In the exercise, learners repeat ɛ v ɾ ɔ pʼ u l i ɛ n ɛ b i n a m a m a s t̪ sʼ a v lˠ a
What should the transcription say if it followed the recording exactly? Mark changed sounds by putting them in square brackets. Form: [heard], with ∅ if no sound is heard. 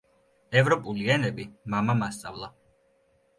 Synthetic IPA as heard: ɛ v ɾ ɔ pʼ u l i ɛ n ɛ b i [m] a m a m a s t̪ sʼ a v lˠ a

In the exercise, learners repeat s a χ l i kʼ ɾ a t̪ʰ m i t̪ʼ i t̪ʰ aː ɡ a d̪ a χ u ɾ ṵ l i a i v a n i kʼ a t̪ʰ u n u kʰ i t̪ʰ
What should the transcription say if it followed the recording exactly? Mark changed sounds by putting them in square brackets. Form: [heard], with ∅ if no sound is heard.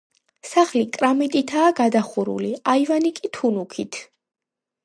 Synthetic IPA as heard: s a χ l i kʼ ɾ a [∅] m i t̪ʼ i t̪ʰ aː ɡ a d̪ a χ u ɾ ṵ l i a i v a n i kʼ [i] t̪ʰ u n u kʰ i t̪ʰ

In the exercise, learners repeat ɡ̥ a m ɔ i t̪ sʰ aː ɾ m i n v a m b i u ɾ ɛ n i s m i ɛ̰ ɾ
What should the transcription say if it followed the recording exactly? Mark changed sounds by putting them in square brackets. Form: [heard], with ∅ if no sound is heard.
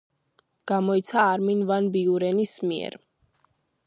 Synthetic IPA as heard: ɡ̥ a m ɔ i t̪ sʰ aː ɾ m i n v a [n] b i u ɾ ɛ n i s m i ɛ̰ ɾ

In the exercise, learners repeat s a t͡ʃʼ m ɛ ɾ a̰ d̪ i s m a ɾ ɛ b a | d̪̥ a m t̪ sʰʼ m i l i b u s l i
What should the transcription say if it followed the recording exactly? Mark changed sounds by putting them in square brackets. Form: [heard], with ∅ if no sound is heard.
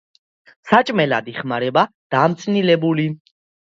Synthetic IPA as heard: s a t͡ʃʼ m ɛ [l] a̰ d̪ i [χ] m a ɾ ɛ b a | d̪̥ a m t̪ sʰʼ [n] i l [ɛ] b u [∅] l i

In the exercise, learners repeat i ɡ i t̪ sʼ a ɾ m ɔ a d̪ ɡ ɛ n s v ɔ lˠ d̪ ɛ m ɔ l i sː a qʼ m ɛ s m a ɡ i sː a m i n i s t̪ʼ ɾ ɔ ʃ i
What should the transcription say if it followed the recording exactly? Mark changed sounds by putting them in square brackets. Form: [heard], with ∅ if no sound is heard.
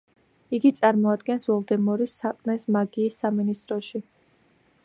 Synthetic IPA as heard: i ɡ i t̪ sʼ a ɾ m ɔ a d̪ ɡ ɛ n s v ɔ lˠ d̪ ɛ m ɔ [ɾ] i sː a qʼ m ɛ s m a ɡ [iː] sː a m i n i s t̪ʼ ɾ ɔ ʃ i

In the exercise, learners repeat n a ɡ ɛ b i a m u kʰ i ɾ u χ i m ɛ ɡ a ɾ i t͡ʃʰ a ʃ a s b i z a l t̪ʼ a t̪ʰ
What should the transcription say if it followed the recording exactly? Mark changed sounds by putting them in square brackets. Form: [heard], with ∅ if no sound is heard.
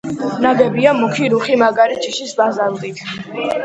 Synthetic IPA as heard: n a ɡ ɛ b i a m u kʰ i ɾ u χ i m [a] ɡ a ɾ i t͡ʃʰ [i] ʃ [i] s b [a] z a l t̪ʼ [i] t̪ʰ

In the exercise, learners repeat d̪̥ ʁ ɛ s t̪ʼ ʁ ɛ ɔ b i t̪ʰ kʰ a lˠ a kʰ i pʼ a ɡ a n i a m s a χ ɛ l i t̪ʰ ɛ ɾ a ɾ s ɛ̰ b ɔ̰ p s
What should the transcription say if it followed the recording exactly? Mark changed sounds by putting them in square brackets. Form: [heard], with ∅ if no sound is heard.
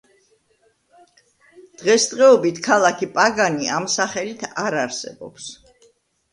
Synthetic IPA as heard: d̪̥ ʁ ɛ s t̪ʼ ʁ ɛ ɔ b i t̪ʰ kʰ a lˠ a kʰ i pʼ a ɡ a n i a m s a χ ɛ l i t̪ʰ [a] ɾ a ɾ s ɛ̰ b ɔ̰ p s

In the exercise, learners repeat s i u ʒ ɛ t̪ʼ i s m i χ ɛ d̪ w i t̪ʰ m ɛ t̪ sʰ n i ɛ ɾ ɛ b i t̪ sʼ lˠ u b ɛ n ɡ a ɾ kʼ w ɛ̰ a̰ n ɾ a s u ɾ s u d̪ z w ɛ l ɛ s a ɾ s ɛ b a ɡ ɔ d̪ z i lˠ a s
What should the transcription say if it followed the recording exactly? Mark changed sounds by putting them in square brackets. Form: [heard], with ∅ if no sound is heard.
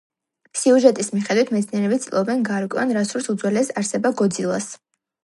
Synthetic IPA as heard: s i u ʒ ɛ t̪ʼ i s m i χ ɛ d̪ w i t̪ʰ m ɛ t̪ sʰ n i ɛ ɾ ɛ b i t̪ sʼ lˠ [ɔ] b ɛ n ɡ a ɾ kʼ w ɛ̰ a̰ n ɾ a s u ɾ s u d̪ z w ɛ l ɛ s a ɾ s ɛ b a ɡ ɔ d̪ z i lˠ a s

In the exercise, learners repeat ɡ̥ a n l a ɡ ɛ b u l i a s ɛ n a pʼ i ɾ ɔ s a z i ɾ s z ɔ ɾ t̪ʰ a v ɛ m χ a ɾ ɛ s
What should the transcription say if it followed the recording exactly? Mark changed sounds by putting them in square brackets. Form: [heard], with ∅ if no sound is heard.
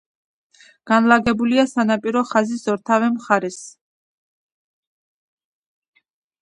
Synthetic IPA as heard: ɡ̥ a n l a ɡ ɛ b u l i a s [a] n a pʼ i ɾ ɔ [χ] a z i [∅] s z ɔ ɾ t̪ʰ a v ɛ m χ a ɾ ɛ s

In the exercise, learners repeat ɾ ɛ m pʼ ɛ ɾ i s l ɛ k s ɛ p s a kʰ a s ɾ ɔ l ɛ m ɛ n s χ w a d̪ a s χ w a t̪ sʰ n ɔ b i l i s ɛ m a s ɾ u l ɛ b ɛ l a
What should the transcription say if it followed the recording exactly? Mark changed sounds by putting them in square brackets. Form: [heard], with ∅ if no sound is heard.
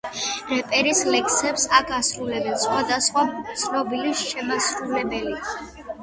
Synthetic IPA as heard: ɾ ɛ [∅] pʼ ɛ ɾ i s l ɛ k s ɛ p s a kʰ a s ɾ [u] l ɛ [b] ɛ n s χ w a d̪ a s χ w a t̪ sʰ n ɔ b i l i [ʃ] ɛ m a s ɾ u l ɛ b ɛ l [i]

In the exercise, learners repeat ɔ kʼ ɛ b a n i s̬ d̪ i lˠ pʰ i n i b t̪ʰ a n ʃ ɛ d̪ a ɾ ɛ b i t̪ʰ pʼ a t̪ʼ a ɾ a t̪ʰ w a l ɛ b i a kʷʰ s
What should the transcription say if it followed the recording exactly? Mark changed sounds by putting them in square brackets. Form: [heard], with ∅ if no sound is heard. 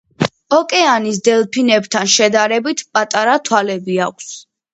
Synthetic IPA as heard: ɔ kʼ ɛ [∅] a n i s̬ d̪ [ɛ] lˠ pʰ i n [ɛ] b t̪ʰ a n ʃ ɛ d̪ a ɾ ɛ b i t̪ʰ pʼ a t̪ʼ a ɾ a t̪ʰ w a l ɛ b i a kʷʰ s

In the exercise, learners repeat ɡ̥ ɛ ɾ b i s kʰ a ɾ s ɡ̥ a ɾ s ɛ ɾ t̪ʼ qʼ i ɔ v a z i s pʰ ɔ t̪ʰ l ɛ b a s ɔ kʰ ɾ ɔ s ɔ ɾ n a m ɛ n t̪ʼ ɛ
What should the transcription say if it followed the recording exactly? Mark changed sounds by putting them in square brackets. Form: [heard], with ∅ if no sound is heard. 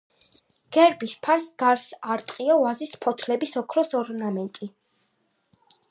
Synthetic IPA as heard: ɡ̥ ɛ ɾ b i s [pʰ] a ɾ s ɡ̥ a ɾ s [a] ɾ t̪ʼ qʼ i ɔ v a z i s pʰ ɔ t̪ʰ l ɛ b [i] s ɔ kʰ ɾ ɔ s ɔ ɾ n a m ɛ n t̪ʼ [i]

